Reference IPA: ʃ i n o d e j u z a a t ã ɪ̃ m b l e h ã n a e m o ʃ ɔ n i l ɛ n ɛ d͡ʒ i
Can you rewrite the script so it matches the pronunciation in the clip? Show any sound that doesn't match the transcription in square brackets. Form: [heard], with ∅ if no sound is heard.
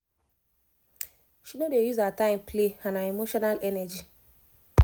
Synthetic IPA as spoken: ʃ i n o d e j u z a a t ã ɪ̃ m [p] l e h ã n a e m o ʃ ɔ n [a] l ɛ n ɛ d͡ʒ i